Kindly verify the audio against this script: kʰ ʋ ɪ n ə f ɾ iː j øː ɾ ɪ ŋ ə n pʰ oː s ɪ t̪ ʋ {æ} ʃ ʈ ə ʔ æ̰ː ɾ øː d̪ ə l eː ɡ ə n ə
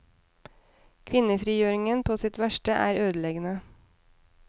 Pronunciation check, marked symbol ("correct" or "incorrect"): correct